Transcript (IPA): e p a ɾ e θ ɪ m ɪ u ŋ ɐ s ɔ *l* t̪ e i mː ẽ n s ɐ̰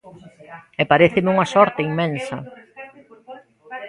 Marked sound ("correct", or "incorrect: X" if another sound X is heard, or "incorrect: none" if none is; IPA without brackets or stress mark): incorrect: ɾ